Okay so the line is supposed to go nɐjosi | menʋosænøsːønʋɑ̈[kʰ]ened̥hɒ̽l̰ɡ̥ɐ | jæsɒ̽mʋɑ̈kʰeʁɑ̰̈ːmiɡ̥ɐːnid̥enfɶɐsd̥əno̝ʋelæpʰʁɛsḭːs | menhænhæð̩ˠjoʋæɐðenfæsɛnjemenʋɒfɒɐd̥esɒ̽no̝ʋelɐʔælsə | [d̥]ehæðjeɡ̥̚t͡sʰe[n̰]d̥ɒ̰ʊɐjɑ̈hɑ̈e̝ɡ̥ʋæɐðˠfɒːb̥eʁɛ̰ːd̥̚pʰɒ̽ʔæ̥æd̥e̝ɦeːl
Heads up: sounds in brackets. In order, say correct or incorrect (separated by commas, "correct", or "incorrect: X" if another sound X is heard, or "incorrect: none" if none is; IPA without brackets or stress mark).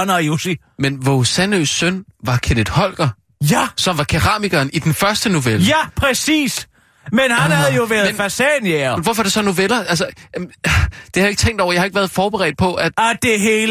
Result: correct, correct, incorrect: ŋ̰